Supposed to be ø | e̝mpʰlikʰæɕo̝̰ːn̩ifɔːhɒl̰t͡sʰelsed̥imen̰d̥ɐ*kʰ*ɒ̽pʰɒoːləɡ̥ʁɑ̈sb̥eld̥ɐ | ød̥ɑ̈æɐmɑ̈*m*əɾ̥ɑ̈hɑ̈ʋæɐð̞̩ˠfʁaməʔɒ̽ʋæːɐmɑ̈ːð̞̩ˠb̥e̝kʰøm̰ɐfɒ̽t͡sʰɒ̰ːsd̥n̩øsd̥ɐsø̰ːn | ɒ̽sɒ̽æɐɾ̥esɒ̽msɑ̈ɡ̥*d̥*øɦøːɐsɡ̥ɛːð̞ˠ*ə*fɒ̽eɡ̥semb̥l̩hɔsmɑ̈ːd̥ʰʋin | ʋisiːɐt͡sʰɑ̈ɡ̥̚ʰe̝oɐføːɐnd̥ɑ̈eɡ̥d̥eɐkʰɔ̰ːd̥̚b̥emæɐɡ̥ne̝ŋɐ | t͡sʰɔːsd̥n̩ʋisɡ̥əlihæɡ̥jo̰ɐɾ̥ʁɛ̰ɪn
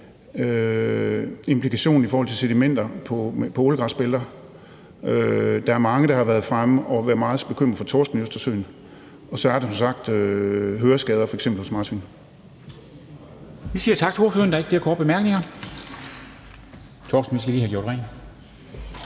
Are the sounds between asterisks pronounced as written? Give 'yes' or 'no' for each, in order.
no, no, yes, no

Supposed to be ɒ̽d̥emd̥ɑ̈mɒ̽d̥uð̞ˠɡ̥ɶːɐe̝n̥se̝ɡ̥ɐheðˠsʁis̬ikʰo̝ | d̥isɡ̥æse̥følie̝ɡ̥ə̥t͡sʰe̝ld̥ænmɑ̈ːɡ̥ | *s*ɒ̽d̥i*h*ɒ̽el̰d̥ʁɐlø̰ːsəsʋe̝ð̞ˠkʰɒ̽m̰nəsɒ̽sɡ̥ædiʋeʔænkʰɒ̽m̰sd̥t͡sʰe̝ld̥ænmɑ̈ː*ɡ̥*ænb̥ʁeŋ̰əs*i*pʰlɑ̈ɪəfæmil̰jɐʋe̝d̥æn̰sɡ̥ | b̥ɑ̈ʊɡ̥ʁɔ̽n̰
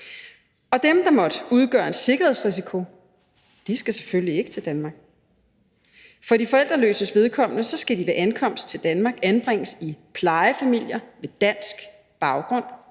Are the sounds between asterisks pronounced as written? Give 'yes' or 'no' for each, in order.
no, no, yes, yes

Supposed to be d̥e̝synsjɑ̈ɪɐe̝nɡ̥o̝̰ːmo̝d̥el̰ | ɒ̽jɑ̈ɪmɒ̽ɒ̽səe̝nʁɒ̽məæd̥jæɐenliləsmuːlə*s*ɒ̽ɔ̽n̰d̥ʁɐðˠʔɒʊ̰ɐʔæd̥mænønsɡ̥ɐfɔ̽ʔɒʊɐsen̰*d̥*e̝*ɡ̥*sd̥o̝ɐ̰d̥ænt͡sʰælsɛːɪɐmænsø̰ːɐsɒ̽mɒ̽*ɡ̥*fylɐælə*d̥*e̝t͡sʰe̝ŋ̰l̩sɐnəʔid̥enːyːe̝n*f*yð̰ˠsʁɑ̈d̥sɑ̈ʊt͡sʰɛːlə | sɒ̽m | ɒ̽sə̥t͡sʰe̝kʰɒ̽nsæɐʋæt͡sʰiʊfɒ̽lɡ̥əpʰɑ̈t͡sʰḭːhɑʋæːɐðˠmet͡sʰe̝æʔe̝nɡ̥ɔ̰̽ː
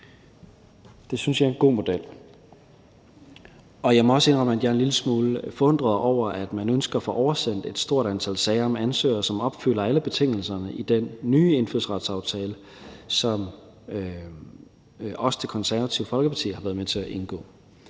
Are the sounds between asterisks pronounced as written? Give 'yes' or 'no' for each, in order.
no, yes, no, no, no, yes

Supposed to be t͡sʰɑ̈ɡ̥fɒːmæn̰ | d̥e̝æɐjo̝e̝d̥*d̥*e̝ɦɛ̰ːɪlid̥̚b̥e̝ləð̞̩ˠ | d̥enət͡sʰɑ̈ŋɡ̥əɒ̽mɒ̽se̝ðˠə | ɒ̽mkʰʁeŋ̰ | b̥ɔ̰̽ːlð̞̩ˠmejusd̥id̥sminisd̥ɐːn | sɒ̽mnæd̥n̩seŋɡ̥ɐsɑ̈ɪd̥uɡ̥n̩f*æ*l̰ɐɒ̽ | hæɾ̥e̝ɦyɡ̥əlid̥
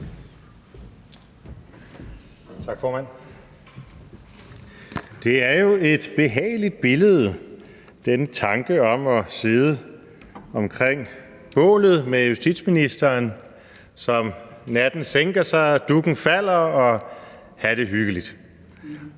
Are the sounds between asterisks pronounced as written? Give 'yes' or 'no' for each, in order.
no, yes

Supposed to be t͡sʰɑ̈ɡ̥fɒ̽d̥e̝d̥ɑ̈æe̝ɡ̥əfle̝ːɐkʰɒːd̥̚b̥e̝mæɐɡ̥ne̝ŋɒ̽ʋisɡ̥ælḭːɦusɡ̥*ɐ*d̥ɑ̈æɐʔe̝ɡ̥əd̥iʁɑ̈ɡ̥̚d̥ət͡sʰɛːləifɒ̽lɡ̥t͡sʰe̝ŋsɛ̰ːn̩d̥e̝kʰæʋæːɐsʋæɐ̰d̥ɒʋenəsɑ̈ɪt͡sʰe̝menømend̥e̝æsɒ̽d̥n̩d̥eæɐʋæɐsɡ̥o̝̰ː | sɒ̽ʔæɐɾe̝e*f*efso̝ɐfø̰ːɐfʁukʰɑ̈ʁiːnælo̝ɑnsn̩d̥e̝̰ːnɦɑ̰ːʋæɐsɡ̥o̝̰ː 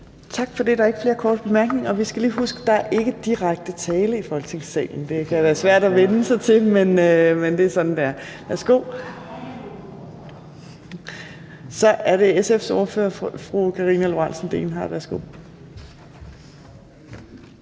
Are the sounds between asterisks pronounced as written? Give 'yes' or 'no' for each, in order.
no, no

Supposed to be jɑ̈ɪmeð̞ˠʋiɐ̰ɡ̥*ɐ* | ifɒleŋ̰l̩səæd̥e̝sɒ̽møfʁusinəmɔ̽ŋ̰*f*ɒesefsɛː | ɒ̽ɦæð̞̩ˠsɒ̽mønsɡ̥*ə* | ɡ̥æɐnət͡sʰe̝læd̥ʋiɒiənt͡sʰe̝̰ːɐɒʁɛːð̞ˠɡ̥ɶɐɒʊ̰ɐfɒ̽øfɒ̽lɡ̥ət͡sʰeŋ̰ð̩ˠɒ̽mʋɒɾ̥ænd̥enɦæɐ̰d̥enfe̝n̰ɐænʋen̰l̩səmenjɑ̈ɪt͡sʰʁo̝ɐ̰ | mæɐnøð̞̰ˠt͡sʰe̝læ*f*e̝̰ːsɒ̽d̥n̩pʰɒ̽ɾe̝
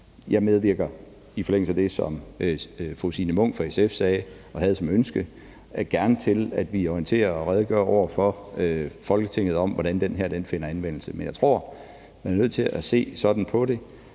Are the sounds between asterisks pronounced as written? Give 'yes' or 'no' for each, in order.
yes, yes, yes, no

